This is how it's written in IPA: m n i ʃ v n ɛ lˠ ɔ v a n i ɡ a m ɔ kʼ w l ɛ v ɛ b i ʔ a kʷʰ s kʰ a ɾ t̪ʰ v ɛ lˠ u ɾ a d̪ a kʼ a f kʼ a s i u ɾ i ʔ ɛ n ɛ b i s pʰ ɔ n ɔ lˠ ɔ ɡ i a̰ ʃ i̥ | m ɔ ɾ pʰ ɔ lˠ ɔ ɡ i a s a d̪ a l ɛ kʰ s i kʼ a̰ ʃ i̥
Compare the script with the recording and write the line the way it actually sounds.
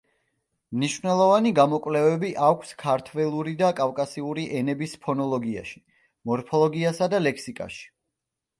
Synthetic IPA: m n i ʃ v n ɛ lˠ ɔ v a n i ɡ a m ɔ kʼ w l ɛ v ɛ b i ʔ a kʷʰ s kʰ a ɾ t̪ʰ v ɛ lˠ u ɾ i d̪ a kʼ a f kʼ a s i u ɾ i ʔ ɛ n ɛ b i s pʰ ɔ n ɔ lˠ ɔ ɡ i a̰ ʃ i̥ | m ɔ ɾ pʰ ɔ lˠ ɔ ɡ i a s a d̪ a l ɛ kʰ s i kʼ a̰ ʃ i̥